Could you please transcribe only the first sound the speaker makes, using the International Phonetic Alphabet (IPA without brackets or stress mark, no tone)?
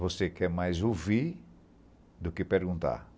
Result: v